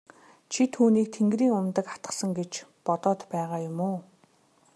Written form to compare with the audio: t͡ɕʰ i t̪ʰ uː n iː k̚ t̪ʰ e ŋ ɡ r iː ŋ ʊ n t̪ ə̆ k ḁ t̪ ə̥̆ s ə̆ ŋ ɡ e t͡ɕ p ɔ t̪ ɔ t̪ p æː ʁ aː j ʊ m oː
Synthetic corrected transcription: t͡ɕʰ i t̪ʰ uː n iː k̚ t̪ʰ e ŋ ɡ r iː ŋ ʊ m t̪ ə̆ k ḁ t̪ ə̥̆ s ə̆ ŋ ɡ e t͡ɕ p ɔ t̪ ɔː t̪ p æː ʁ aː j ʊ m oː